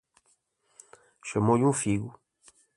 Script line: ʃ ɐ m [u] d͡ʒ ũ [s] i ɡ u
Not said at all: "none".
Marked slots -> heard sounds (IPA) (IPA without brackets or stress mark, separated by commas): o, f